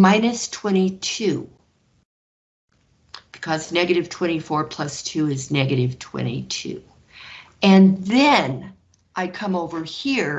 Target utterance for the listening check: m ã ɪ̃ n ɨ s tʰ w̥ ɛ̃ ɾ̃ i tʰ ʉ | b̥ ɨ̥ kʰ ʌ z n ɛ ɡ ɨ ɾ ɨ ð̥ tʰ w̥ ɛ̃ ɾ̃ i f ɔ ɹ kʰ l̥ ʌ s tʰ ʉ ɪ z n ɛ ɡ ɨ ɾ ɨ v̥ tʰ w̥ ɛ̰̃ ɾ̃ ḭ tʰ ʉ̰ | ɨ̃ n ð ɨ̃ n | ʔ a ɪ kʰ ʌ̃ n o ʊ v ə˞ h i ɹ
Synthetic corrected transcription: m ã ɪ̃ n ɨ s tʰ w̥ ɛ̃ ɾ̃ i tʰ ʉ | b̥ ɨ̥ kʰ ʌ z n ɛ ɡ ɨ ɾ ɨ v̥ tʰ w̥ ɛ̃ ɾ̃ i f ɔ ɹ pʰ l̥ ʌ s tʰ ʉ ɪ z n ɛ ɡ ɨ ɾ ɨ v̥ tʰ w̥ ɛ̰̃ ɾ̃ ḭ tʰ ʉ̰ | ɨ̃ n ð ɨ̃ n | ʔ a ɪ kʰ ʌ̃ m o ʊ v ə˞ h i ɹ